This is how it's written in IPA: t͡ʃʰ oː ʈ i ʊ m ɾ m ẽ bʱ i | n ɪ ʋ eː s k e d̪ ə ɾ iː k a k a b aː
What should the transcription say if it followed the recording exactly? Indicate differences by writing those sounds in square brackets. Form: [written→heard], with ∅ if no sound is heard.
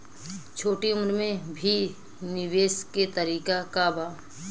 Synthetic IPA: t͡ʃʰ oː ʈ i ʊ m ɾ m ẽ bʱ i | n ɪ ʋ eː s k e [d̪→t̪] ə ɾ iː k a k a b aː